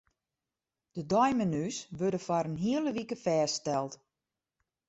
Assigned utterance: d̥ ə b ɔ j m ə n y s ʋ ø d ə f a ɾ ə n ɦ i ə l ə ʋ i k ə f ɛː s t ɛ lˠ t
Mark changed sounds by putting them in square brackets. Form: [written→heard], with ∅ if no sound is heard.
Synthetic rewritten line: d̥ ə [b→d] ɔ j m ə n y s ʋ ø d ə f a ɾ ə n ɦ i ə l ə ʋ i k ə f ɛː s t ɛ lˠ t